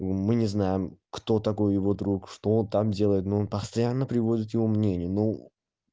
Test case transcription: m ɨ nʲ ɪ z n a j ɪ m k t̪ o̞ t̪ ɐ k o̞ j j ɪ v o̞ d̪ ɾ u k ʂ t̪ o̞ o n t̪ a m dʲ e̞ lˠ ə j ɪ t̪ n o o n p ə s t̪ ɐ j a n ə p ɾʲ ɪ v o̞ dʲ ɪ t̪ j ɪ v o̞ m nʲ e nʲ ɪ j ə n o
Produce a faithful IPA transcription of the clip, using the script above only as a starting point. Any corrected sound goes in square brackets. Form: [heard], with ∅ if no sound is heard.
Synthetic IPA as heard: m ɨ nʲ ɪ z n a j ɪ m k t̪ o̞ t̪ ɐ k o̞ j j ɪ v o̞ d̪ ɾ u k ʂ t̪ o̞ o n t̪ a m dʲ e̞ lˠ ə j ɪ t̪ n o o n p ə s t̪ ɐ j a [nː] ə p ɾʲ ɪ v o̞ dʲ ɪ t̪ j ɪ v o̞ m nʲ e nʲ ɪ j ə n o